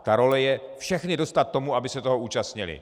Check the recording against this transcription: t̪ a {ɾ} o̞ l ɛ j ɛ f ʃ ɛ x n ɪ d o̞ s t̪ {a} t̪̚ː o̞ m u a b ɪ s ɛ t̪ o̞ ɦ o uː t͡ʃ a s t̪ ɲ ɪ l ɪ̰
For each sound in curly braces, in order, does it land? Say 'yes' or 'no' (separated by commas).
yes, yes